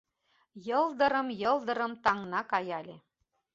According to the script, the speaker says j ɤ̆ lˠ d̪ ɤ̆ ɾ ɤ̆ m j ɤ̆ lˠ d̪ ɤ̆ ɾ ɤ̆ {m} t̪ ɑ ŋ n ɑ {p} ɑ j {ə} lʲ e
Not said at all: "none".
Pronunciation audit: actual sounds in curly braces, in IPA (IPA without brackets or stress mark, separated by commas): m, k, ɑ